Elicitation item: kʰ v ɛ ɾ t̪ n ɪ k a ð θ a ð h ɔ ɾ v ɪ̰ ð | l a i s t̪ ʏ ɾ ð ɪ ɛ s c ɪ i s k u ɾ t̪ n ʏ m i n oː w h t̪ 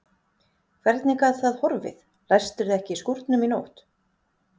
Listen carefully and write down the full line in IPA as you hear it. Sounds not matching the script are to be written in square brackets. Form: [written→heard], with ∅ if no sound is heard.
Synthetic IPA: kʰ v ɛ ɾ t̪ n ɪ k a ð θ a ð h ɔ ɾ v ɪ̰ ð | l a [i→j] s t̪ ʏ ɾ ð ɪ ɛ [s→h] c ɪ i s k u ɾ t̪ n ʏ m i n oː w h t̪